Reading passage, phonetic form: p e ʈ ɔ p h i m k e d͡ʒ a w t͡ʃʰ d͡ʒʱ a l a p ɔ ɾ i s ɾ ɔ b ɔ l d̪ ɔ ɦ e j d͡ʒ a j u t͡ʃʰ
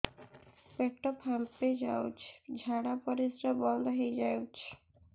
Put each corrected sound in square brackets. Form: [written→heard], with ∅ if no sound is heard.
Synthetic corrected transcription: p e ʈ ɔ p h [i→a] m [k→p] e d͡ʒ a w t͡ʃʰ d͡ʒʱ a [l→ɽ] a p ɔ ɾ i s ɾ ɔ b ɔ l d̪ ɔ ɦ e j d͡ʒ a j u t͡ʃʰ